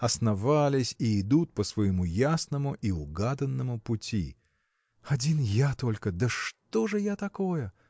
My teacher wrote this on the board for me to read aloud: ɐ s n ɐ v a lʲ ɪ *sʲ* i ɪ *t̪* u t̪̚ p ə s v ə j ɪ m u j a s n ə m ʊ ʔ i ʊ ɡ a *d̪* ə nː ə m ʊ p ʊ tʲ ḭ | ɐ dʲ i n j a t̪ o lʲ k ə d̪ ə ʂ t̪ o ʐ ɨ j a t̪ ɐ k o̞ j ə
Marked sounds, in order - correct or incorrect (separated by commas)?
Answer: correct, incorrect, correct